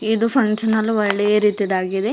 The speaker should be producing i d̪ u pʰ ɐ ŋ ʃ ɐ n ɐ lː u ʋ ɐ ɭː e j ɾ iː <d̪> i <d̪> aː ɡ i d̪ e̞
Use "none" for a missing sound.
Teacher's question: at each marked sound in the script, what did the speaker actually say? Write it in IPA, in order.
t̪, d̪

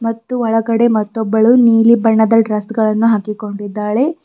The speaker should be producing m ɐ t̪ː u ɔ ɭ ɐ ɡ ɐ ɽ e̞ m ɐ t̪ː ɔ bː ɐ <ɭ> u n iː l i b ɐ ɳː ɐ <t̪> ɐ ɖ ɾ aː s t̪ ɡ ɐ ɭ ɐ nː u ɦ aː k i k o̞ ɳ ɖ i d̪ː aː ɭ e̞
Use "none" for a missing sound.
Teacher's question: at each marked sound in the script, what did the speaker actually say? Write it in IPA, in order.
ɭ, d̪

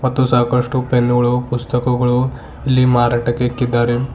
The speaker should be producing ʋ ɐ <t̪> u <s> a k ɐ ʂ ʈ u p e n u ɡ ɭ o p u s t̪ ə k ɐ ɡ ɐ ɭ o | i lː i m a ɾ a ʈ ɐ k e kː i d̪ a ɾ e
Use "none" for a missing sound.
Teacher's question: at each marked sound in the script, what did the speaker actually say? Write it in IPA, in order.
t̪, s

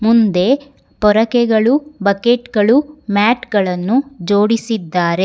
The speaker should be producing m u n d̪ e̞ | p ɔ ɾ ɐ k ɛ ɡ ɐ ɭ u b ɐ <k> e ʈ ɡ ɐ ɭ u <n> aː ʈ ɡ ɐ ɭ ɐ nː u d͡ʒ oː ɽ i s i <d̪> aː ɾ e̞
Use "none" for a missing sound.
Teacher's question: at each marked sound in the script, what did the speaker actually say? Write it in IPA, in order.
k, m, d̪ː

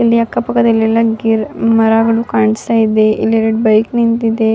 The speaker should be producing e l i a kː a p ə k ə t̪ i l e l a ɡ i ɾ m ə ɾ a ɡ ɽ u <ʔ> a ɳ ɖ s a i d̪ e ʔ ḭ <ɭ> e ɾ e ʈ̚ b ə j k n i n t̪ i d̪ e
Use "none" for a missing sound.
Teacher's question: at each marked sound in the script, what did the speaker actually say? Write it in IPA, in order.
k, l

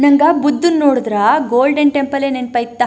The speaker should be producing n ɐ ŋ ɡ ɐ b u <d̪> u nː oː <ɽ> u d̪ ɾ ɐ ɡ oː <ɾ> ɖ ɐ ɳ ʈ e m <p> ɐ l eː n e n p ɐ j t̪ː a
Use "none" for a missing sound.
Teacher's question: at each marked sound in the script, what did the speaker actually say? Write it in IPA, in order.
d̪ː, ɽ, l, p

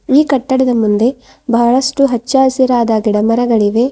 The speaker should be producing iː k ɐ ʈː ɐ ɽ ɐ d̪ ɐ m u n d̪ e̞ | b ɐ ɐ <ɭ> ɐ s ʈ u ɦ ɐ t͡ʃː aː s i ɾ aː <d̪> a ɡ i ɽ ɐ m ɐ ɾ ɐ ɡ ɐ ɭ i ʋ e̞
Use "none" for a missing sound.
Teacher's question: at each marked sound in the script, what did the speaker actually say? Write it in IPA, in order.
ɭ, d̪

